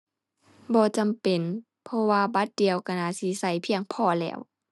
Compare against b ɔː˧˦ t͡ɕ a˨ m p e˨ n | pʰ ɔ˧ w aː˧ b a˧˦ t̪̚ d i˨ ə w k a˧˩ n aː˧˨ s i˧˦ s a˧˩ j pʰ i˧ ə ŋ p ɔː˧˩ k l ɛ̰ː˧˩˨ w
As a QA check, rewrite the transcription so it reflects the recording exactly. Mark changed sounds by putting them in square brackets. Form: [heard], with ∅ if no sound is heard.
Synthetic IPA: b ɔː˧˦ t͡ɕ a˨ m p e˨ n | pʰ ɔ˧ w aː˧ b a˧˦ t̪̚ d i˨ ə w k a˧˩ n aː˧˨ s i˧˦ s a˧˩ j pʰ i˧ ə ŋ [pʰ] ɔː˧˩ [∅] l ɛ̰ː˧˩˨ w